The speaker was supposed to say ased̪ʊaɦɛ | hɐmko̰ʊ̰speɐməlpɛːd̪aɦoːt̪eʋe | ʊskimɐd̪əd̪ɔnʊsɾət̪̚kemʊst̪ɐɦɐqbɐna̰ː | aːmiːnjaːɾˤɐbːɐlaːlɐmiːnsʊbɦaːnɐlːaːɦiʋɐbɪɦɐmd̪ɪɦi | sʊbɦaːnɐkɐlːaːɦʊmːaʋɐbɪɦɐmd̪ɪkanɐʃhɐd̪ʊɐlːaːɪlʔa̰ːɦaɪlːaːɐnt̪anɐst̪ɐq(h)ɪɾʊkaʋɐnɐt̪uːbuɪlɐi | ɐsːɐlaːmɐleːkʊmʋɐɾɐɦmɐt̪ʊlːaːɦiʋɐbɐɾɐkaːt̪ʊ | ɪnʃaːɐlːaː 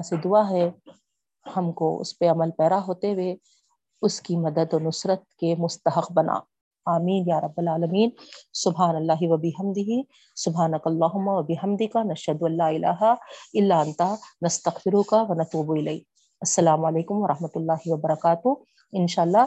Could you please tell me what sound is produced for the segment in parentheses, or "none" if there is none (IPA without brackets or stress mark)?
f